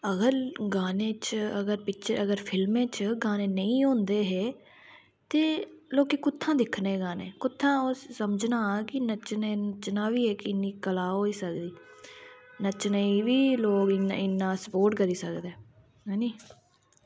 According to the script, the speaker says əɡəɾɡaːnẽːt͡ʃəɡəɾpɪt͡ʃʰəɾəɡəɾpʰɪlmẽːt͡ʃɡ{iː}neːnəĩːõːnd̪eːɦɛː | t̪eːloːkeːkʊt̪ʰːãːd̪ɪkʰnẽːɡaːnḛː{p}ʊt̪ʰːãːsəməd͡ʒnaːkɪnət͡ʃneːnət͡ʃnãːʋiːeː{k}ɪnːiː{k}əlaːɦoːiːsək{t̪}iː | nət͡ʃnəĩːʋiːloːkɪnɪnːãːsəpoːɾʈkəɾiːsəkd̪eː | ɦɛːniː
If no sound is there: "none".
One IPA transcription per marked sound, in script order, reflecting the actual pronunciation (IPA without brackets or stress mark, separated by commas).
aː, k, k, k, d̪